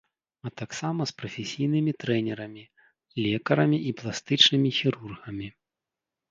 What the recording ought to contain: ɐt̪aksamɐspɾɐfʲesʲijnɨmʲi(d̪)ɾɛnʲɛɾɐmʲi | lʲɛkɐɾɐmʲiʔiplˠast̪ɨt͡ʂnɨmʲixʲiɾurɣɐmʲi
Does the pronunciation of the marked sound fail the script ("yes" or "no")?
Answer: yes